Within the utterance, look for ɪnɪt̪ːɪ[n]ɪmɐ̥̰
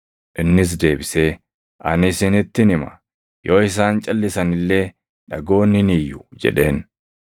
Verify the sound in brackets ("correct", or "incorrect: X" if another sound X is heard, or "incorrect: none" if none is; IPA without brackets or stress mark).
correct